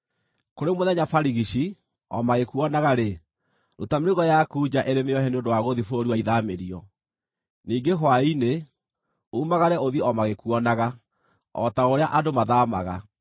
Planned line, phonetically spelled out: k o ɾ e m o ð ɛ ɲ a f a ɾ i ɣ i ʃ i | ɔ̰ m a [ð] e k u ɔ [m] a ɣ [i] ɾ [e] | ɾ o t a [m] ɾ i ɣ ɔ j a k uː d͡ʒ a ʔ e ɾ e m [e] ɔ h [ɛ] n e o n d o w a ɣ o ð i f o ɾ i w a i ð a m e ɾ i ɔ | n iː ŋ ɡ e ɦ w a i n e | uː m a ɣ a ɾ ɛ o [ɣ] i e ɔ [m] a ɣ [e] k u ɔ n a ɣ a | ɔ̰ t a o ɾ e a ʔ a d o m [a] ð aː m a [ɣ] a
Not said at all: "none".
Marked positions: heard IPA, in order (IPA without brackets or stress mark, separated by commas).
ɣ, n, a, e, m, e, ɛ, ð, m, e, a, ɣ